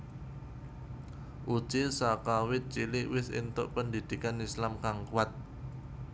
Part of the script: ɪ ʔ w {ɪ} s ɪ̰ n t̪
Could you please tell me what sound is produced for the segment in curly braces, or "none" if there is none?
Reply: ɪ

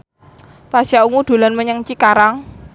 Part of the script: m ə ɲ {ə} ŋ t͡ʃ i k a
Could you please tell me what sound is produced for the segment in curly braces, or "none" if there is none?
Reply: ə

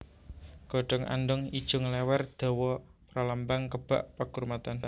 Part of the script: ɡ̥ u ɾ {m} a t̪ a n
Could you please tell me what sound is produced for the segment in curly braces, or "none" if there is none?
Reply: m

